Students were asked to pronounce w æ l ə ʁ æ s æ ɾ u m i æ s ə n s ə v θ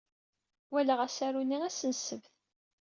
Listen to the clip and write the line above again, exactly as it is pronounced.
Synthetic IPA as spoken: w æ l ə ʁ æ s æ ɾ u n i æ s ə n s ə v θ